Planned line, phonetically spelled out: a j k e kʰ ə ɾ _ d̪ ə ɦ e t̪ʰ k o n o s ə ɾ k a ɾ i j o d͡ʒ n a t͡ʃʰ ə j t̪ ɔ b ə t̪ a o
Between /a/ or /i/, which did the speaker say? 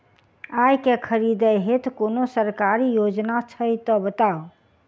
i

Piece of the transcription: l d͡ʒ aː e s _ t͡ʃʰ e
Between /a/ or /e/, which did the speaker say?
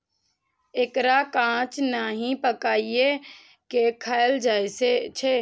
e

